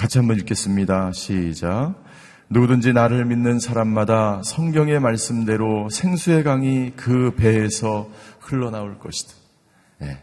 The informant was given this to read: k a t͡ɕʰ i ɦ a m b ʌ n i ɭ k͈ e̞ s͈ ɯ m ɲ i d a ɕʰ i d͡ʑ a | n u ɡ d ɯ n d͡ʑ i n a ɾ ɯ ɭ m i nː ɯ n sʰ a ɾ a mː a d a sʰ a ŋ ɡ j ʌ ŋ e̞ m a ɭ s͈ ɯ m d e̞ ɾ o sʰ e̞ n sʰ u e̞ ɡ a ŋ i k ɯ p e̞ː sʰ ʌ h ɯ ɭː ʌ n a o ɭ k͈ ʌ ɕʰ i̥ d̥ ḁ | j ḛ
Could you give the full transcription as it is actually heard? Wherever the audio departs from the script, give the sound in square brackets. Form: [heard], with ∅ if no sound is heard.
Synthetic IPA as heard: k a t͡ɕʰ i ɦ a m b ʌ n i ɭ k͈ e̞ s͈ ɯ m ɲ i d a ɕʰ i d͡ʑ a | n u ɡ d ɯ n d͡ʑ i n a ɾ ɯ ɭ m i nː ɯ n sʰ a ɾ a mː a d a sʰ [ʌ] ŋ ɡ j ʌ ŋ e̞ m a ɭ s͈ ɯ m d e̞ ɾ o sʰ e̞ [ŋ] sʰ u e̞ ɡ a ŋ i k ɯ p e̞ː sʰ ʌ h ɯ ɭː ʌ n a o ɭ k͈ ʌ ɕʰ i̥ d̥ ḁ | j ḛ